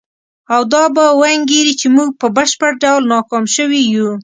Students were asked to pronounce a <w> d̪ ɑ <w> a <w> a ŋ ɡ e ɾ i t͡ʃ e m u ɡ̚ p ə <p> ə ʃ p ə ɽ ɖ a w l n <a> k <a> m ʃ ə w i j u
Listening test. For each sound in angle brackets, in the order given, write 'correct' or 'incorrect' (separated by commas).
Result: correct, incorrect, correct, incorrect, incorrect, incorrect